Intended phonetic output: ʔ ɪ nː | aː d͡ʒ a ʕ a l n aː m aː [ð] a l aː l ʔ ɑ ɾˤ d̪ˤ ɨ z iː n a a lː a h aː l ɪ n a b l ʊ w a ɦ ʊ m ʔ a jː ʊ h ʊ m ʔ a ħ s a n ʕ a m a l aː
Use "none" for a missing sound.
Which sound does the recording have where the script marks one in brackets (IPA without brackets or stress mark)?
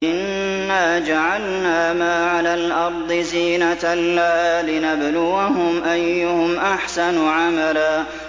ʕ